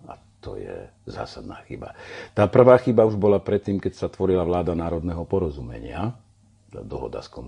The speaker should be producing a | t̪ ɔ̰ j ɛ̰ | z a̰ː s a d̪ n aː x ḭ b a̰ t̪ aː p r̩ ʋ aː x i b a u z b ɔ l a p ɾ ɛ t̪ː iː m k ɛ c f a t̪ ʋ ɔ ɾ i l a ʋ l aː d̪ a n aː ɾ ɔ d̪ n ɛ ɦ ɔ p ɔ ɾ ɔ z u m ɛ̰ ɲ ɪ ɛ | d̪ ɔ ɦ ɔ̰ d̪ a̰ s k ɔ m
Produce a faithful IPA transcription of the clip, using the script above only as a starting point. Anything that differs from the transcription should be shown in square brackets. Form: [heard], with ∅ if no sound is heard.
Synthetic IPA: a | t̪ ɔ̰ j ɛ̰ | z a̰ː s a d̪ n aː x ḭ b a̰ t̪ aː p r̩ ʋ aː x i b a u [ʒ] b ɔ l a p ɾ ɛ t̪ː iː m k ɛ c [s] a t̪ ʋ ɔ ɾ i l a ʋ l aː d̪ a n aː ɾ ɔ d̪ n ɛ ɦ ɔ p ɔ ɾ ɔ z u m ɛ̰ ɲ ɪ [a] | d̪ ɔ ɦ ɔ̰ d̪ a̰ s k ɔ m